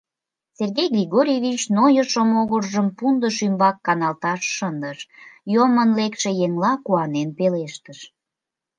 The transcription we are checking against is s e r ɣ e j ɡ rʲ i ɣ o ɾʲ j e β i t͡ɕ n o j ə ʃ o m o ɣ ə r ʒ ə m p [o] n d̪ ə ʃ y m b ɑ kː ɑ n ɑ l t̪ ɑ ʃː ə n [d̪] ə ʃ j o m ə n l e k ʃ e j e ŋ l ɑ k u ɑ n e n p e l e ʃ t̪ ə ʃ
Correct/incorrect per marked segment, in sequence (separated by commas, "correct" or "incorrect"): incorrect, correct